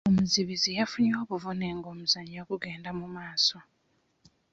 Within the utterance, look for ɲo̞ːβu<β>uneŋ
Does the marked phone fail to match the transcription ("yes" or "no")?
yes